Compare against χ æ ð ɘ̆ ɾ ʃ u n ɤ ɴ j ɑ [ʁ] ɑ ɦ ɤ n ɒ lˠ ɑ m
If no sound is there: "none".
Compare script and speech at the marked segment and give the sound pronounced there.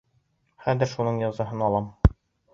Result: z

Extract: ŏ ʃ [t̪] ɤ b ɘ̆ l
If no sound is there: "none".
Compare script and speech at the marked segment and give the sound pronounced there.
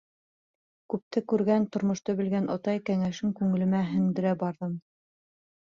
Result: t̪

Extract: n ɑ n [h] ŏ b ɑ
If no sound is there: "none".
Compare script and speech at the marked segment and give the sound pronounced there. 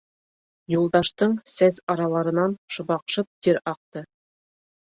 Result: ʃ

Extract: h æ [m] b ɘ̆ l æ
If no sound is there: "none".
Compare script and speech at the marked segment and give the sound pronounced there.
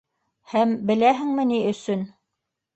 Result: m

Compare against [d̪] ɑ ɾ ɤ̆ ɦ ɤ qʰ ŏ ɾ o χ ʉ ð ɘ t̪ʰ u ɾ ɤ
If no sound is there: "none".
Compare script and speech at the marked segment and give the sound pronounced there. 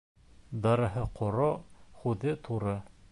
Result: d̪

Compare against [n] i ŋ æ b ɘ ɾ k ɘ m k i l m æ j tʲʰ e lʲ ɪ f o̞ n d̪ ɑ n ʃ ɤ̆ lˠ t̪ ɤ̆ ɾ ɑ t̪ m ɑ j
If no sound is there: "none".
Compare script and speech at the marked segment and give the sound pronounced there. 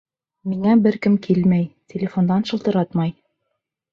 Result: m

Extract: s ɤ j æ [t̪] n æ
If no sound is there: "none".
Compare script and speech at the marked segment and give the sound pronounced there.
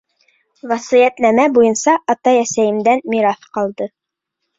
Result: t̪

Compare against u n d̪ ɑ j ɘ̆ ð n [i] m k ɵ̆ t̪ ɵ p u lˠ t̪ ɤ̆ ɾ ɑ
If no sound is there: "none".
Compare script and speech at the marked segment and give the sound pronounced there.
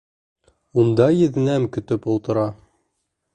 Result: æ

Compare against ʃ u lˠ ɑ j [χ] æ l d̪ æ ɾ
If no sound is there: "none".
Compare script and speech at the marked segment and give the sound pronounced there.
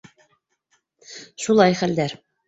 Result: χ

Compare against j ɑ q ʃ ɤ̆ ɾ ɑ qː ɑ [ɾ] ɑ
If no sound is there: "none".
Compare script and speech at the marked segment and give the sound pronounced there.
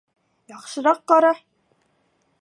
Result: ɾ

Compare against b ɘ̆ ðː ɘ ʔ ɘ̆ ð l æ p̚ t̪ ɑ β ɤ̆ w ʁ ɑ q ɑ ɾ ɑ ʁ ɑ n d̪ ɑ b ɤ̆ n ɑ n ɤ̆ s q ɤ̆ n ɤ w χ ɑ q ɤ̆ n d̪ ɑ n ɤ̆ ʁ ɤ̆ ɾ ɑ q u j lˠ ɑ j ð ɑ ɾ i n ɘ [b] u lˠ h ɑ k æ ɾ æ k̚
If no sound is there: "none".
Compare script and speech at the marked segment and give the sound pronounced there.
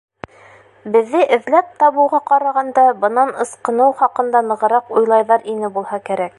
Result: b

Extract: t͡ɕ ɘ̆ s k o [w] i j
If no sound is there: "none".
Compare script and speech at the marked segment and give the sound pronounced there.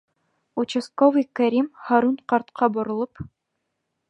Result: v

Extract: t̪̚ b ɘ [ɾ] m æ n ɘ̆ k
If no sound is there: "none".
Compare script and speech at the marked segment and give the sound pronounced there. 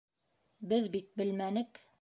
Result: l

